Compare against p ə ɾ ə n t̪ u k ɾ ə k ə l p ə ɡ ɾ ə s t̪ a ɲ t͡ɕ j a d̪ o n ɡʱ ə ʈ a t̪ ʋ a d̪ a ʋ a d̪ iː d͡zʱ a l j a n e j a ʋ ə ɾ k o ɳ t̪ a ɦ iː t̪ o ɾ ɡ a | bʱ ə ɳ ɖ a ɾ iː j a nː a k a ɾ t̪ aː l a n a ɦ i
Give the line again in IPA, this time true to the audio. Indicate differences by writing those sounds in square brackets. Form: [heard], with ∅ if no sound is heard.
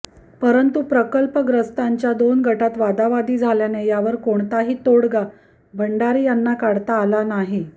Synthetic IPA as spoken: p ə ɾ ə n t̪ u [p] ɾ ə k ə l p ə ɡ ɾ ə s t̪ a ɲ t͡ɕ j a d̪ o n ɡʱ ə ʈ a t̪ ʋ a d̪ a ʋ a d̪ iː d͡zʱ a l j a n e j a ʋ ə ɾ k o ɳ t̪ a ɦ iː t̪ o [ɽ] ɡ a | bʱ ə ɳ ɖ a ɾ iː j a nː a k a [ɽ] t̪ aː l a n a ɦ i